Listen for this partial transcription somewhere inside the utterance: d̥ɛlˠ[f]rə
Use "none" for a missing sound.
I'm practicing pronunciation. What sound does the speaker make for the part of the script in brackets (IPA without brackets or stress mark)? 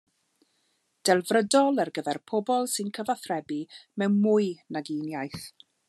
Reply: v